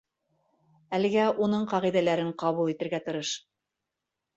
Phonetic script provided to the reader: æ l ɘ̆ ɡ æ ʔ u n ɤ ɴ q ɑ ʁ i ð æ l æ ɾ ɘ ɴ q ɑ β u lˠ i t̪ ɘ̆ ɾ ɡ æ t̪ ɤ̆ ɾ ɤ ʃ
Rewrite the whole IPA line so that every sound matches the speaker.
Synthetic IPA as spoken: æ l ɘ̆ ɡ æ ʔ u n ɤ ɴ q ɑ ʁ i ð æ l æ ɾ ɘ ɴ q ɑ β u lˠ i t̪ ɘ̆ ɾ ɡ æ t̪ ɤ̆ ɾ ɤ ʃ